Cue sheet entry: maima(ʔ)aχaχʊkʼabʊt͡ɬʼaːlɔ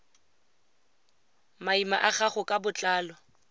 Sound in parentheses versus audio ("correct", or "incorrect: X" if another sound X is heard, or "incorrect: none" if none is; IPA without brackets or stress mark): correct